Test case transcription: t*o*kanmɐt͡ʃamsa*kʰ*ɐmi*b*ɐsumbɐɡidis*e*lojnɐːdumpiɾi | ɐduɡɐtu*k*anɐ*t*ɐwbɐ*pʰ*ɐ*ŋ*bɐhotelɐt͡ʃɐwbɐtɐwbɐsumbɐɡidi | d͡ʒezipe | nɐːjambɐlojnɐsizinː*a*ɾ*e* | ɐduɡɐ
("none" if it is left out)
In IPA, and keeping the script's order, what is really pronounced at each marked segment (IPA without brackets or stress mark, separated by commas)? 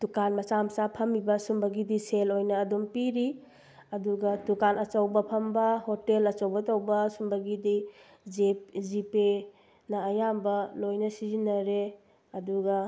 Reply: u, pʰ, b, e, k, t͡ʃ, pʰ, m, ɐ, e